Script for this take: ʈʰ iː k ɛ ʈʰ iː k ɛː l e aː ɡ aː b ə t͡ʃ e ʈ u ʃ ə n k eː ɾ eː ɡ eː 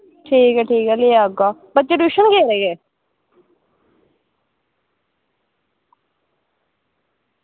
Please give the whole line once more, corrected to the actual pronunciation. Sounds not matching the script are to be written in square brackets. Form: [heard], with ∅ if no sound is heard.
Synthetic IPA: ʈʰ iː k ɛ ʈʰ iː k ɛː l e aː ɡ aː b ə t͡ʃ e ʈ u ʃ ə n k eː ɾ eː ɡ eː